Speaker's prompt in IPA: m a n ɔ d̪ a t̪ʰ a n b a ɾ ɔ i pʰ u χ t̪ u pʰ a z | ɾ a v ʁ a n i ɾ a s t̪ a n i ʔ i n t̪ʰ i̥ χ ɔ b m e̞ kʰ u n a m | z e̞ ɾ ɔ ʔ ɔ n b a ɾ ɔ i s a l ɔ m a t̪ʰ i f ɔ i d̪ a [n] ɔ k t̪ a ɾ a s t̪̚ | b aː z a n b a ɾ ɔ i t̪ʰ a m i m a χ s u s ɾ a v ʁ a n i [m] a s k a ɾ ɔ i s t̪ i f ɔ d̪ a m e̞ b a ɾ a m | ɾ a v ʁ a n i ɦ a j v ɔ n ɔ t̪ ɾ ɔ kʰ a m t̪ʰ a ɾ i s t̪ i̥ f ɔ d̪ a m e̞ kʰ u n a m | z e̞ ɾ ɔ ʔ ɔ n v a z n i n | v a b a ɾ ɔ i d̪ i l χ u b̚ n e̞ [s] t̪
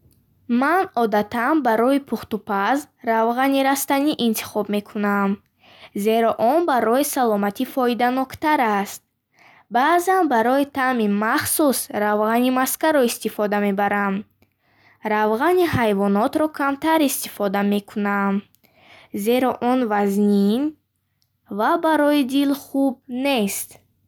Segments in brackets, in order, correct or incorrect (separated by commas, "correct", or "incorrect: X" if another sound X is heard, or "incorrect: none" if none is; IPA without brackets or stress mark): correct, correct, correct